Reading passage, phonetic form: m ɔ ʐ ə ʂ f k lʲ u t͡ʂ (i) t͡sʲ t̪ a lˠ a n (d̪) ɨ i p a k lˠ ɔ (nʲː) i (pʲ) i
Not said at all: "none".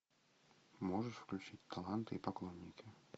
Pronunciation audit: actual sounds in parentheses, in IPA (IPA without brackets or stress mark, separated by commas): i, t̪, nʲː, kʲ